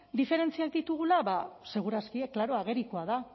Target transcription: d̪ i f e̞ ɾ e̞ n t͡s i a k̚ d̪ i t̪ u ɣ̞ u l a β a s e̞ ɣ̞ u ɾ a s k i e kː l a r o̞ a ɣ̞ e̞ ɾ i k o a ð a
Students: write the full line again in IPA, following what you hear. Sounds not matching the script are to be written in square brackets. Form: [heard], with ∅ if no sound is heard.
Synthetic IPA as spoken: d̪ i f e̞ ɾ e̞ n t͡s i a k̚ d̪ i t̪ u ɣ̞ u l a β a s e̞ ɣ̞ u ɾ a s k i e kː l a [ɾ] o̞ a ɣ̞ e̞ ɾ i k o a ð a